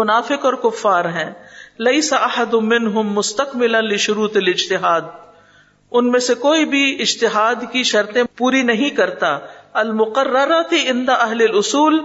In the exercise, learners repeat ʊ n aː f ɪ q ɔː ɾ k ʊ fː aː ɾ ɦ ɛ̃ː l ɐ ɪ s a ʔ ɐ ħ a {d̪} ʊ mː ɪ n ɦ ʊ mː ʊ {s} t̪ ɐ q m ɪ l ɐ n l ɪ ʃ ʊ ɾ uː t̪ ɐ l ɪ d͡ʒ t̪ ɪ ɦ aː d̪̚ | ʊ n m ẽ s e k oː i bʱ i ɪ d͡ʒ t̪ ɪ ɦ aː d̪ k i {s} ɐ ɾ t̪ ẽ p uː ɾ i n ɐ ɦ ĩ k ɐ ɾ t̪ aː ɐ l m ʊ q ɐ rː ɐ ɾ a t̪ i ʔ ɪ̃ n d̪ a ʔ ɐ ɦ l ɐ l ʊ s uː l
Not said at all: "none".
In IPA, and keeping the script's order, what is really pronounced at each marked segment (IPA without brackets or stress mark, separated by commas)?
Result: d̪, s, ʃ